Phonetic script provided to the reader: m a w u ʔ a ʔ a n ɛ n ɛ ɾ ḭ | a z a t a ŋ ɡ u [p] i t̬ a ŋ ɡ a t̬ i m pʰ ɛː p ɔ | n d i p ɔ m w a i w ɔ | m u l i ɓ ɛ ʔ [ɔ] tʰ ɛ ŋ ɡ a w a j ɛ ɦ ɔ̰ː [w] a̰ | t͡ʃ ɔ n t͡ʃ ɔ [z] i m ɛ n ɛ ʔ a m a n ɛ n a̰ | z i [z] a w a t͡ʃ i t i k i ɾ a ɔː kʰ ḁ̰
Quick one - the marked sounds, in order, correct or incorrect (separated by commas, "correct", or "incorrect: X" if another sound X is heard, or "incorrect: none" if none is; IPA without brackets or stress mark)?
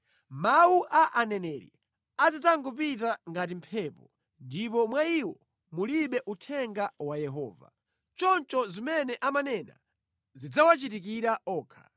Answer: correct, incorrect: u, incorrect: v, correct, incorrect: d͡z